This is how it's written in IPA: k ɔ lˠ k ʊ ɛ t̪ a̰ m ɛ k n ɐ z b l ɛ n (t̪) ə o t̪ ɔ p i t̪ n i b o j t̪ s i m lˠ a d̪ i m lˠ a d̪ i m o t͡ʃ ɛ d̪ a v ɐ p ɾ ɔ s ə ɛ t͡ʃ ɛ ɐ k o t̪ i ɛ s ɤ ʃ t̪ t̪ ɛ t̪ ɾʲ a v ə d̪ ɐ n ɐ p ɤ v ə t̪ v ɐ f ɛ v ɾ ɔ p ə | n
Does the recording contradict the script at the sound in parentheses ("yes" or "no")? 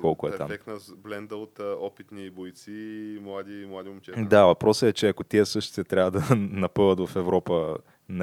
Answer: yes